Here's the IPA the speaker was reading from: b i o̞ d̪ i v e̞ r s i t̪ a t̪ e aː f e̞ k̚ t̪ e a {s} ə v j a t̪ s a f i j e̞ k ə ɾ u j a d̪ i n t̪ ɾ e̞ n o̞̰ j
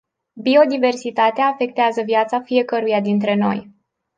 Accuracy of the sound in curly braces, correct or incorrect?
incorrect